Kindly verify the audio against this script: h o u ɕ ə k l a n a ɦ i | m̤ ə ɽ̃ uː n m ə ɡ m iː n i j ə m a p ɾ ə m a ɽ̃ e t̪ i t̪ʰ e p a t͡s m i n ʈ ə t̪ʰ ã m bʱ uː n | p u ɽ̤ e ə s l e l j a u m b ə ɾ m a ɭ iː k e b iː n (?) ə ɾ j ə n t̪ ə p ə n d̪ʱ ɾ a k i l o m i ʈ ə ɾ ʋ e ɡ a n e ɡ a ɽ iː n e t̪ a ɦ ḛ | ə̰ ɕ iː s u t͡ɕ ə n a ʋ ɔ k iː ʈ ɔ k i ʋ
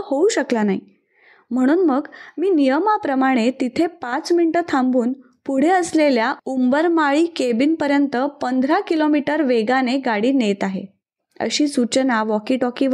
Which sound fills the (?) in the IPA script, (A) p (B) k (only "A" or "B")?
A